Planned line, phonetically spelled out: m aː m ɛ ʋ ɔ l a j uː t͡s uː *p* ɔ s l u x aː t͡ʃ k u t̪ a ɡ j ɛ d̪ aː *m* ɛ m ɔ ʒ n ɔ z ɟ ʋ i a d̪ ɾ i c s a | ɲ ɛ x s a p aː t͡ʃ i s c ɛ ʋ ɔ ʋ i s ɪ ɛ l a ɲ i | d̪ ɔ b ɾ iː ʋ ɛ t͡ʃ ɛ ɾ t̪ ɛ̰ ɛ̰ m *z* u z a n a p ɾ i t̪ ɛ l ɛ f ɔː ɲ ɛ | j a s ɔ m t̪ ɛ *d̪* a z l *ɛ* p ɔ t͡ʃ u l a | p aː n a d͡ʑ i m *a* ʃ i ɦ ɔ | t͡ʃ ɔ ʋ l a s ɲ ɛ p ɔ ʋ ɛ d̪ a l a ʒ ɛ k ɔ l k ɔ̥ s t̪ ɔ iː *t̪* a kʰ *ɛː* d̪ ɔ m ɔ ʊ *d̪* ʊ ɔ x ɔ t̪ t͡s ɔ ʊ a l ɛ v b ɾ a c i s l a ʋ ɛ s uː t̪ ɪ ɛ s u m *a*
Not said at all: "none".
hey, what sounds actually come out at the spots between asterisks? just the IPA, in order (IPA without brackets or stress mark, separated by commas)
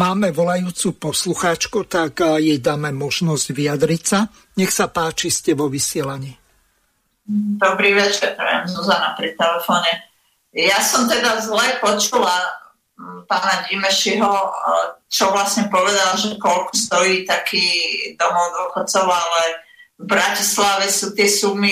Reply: p, m, z, d̪, ɛ, ɛ, t̪, iː, d̪, i